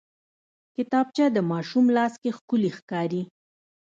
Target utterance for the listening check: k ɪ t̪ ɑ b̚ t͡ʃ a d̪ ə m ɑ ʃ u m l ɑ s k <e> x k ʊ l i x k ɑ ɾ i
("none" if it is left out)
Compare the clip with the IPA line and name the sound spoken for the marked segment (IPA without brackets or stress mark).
e